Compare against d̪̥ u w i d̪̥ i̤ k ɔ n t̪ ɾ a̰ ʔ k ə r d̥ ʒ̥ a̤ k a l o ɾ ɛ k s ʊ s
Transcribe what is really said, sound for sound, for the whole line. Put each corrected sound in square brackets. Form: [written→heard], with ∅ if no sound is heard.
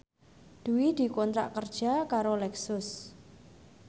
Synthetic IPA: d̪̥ u w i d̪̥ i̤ k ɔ n t̪ ɾ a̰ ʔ k ə r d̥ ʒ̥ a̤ k a [l→ɾ] o [ɾ→l] ɛ k s ʊ s